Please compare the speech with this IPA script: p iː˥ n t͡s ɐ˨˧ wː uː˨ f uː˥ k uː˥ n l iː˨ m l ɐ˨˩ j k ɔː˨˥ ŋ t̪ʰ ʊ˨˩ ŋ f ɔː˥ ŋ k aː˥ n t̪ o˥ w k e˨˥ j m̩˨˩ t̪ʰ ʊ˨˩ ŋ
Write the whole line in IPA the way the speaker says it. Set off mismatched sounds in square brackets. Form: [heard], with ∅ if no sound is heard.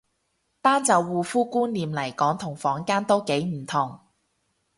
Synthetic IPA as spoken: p [aː˥] n t͡s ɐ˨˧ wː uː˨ f uː˥ k uː˥ n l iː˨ m l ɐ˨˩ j k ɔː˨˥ ŋ t̪ʰ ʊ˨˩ ŋ f [ɔː˨˥] ŋ k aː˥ n t̪ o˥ w k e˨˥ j m̩˨˩ t̪ʰ ʊ˨˩ ŋ